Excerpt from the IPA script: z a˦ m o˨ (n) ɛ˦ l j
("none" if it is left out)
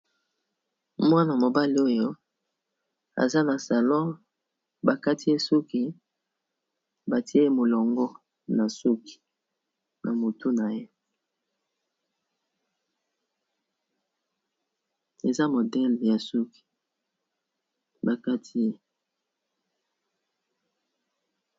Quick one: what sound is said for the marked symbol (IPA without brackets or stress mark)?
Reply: d